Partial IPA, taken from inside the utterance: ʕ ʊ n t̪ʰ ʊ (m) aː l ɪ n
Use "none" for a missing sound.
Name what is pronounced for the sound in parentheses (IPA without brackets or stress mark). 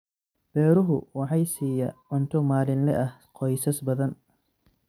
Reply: m